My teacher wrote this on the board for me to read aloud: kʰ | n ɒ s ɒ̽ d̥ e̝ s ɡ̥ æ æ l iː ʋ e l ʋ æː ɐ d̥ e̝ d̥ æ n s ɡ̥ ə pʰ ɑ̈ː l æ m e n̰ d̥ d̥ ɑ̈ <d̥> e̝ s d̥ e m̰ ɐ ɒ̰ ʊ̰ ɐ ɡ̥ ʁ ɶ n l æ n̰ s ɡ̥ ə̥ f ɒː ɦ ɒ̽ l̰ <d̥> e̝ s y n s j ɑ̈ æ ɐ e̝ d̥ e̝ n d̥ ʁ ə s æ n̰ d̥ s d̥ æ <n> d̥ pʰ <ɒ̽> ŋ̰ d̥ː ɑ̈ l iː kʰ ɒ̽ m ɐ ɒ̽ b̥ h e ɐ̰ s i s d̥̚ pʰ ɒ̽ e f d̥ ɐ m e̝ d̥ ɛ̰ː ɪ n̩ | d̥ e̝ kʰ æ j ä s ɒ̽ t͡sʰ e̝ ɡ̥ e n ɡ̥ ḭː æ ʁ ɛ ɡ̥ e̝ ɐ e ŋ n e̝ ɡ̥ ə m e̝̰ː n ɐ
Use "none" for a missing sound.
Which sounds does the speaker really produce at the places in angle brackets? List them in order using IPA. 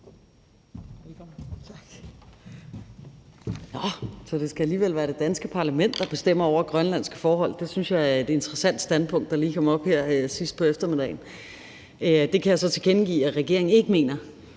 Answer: b̥, d̥, n, ɔ̽

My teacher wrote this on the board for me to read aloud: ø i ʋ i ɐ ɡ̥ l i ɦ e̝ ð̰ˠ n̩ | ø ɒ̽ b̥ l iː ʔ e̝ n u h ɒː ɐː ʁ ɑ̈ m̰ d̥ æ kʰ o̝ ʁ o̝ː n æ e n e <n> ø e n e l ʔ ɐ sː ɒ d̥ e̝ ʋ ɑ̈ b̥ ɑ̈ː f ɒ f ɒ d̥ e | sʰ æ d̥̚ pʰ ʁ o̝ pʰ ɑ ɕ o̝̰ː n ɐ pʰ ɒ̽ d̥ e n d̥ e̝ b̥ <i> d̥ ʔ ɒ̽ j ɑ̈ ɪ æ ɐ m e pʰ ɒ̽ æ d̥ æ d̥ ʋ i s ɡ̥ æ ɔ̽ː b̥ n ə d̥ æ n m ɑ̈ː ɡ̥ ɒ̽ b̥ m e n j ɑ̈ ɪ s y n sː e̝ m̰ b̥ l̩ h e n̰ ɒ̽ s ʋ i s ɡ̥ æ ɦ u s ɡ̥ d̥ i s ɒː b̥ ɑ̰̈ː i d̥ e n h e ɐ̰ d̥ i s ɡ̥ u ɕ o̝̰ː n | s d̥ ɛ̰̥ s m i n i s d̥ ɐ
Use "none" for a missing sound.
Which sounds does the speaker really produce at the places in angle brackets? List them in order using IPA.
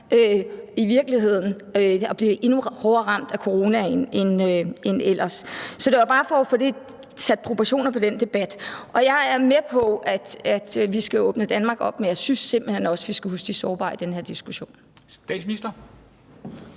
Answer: n, æ

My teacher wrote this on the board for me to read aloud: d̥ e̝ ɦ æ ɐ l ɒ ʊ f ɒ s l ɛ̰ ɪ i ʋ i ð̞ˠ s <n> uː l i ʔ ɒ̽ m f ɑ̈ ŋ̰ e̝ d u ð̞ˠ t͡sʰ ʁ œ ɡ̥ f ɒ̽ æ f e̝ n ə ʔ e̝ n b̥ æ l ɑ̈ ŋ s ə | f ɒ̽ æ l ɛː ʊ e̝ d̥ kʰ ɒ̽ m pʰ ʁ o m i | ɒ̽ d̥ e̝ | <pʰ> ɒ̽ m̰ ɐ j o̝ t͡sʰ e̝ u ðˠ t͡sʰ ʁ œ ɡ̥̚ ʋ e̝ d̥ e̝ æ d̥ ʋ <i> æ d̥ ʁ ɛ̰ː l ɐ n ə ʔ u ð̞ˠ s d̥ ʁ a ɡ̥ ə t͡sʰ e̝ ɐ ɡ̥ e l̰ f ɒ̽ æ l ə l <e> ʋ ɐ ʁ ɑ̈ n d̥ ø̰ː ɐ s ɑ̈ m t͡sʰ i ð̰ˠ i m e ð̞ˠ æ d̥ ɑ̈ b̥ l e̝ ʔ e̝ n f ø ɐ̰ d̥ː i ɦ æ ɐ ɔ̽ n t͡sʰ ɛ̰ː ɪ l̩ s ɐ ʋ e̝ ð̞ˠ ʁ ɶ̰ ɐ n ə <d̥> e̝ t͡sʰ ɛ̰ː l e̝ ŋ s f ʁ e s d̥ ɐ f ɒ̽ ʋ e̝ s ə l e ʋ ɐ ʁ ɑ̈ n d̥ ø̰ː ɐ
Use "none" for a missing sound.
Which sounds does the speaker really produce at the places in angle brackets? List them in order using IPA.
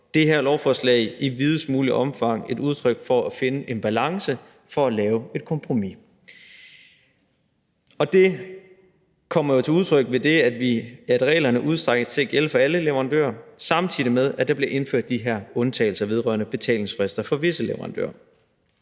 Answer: m, kʰ, i, e, b̥

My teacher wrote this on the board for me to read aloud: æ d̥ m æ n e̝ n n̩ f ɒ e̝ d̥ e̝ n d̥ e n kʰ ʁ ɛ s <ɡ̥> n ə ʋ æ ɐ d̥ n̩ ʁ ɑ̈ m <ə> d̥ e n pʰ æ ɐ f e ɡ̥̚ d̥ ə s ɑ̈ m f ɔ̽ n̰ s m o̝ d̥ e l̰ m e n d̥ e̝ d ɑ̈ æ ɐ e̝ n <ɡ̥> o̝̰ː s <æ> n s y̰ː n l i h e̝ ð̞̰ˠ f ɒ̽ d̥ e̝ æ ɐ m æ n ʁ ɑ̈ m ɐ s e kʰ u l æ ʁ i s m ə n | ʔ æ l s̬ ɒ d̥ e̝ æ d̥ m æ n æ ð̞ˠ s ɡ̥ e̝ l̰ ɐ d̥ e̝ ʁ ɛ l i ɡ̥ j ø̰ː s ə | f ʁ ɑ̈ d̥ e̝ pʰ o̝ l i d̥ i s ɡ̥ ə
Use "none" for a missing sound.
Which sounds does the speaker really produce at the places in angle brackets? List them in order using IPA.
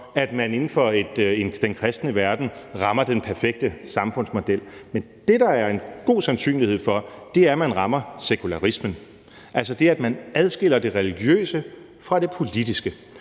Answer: d̥, ɐ, ɡ̥, æ

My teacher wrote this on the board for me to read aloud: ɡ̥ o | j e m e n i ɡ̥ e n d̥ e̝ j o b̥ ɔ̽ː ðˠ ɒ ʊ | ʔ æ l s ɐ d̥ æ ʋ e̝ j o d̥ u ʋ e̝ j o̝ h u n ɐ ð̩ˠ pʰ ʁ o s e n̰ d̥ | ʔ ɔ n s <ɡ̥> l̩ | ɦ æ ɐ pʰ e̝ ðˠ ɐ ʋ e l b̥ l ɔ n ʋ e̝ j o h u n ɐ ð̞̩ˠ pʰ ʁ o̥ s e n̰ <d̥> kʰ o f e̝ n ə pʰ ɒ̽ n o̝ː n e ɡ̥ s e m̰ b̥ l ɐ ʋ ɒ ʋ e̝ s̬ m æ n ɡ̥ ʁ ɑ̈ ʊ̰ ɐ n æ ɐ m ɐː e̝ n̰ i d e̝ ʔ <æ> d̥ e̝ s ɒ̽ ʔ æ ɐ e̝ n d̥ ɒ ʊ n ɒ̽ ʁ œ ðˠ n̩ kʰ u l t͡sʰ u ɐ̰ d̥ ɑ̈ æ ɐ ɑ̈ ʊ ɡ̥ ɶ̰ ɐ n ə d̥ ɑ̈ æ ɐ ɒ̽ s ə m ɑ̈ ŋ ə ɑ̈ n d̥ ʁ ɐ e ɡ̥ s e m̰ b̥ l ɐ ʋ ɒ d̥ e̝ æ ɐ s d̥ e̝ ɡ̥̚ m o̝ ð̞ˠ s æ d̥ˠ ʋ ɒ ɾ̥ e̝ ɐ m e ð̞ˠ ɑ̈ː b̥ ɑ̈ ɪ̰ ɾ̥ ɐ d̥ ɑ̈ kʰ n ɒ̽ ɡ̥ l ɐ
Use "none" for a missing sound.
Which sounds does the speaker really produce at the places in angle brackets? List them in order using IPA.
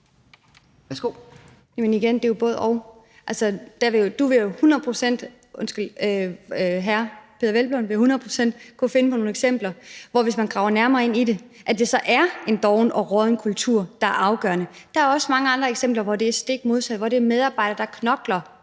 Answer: ɡ̥, d̥, æ

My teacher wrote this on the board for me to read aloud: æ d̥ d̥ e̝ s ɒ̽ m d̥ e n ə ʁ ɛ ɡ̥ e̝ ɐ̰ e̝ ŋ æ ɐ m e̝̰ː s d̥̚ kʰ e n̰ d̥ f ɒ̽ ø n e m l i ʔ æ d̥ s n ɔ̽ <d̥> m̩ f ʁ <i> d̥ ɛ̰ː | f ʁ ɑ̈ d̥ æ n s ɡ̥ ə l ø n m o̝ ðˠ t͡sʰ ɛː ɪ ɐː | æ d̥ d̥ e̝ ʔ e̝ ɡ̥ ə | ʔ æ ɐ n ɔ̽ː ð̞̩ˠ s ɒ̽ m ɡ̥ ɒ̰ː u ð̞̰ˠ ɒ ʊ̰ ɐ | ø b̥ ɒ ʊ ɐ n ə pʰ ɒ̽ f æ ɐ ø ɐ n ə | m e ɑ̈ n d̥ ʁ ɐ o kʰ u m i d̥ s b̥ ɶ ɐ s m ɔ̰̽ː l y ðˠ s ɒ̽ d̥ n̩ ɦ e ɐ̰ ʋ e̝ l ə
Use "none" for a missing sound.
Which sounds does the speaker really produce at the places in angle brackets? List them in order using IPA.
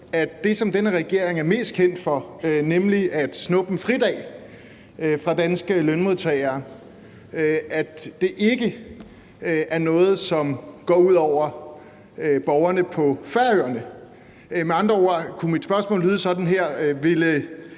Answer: b̥, i

